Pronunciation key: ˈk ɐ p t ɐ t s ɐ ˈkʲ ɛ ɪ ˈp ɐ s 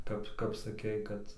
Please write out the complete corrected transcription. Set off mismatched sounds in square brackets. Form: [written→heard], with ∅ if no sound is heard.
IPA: ˈk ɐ p [t→k] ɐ [t→p] s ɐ ˈkʲ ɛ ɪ [ˈp→ˈk] ɐ [s→t]